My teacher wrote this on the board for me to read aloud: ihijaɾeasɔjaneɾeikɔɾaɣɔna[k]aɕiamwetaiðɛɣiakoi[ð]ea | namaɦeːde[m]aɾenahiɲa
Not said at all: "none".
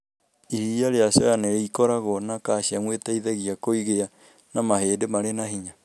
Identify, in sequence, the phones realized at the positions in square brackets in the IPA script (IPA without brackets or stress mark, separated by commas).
k, ɣ, m